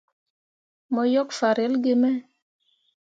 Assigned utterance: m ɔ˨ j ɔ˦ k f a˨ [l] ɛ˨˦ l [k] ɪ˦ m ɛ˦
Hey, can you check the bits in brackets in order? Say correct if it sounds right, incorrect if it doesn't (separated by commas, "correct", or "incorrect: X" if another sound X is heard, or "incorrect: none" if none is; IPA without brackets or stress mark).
incorrect: ɾ, incorrect: ɡ